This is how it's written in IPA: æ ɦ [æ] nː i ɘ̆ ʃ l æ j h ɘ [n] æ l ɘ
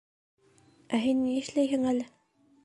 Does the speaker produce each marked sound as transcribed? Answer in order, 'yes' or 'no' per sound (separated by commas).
no, no